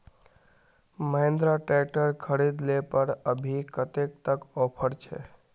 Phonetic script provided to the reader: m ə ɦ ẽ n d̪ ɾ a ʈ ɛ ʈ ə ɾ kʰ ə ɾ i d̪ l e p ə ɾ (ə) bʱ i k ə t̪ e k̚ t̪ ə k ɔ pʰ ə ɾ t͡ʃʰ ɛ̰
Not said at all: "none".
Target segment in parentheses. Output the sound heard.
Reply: ə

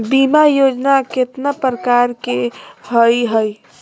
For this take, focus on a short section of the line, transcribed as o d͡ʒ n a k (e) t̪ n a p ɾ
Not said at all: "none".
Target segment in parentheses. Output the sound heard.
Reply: e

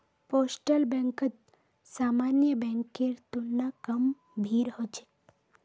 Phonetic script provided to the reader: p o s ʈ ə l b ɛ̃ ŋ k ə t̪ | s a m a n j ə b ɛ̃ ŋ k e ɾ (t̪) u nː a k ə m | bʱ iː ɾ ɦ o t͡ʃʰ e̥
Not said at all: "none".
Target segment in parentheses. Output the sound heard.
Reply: t̪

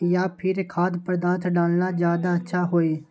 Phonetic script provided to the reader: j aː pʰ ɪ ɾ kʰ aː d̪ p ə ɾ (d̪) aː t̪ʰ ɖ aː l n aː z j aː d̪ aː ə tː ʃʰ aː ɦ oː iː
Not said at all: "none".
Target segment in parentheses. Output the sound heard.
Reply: d̪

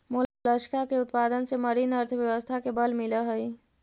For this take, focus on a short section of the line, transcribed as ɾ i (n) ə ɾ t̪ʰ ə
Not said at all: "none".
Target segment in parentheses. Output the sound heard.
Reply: n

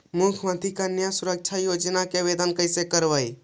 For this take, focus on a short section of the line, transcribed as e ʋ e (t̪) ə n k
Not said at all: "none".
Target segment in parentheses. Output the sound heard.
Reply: d̪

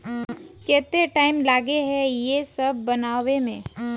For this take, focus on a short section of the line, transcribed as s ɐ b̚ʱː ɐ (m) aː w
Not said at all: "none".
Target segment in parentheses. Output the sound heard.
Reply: n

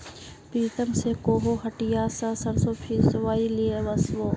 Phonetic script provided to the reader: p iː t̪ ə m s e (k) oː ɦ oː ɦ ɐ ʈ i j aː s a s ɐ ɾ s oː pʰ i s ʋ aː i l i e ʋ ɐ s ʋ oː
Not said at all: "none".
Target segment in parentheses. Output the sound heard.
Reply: k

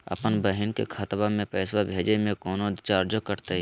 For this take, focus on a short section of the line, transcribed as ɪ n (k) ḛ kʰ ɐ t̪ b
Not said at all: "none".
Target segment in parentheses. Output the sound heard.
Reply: k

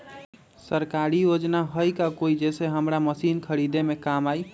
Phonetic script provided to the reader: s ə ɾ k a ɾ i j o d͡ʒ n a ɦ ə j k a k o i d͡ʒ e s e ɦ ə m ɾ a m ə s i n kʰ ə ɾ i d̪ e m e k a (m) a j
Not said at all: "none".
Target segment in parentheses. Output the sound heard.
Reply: m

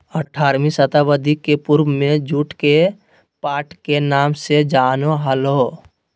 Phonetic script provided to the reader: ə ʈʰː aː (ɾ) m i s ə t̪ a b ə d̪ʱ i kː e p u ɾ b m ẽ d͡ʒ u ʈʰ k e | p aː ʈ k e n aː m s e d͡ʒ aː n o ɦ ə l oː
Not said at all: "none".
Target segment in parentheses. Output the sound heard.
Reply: ɾ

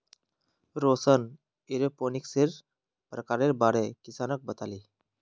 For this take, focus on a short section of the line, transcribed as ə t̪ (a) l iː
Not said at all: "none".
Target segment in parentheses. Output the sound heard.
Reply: a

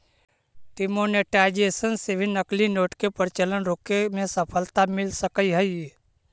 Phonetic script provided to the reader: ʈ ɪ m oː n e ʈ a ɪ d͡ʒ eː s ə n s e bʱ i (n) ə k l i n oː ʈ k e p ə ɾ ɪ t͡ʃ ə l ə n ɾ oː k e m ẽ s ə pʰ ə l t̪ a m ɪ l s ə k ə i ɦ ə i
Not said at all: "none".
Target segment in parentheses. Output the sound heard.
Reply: n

